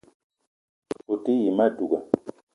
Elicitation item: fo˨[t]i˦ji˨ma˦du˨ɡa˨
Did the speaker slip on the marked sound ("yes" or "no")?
no